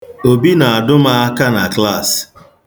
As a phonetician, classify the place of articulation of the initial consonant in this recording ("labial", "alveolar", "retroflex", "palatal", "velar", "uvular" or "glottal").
labial